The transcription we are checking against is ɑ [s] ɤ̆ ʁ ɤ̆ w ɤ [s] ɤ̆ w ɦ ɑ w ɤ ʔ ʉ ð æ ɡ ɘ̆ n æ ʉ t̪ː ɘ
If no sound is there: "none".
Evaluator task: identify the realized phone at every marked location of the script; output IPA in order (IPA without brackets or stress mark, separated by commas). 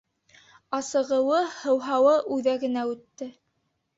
s, h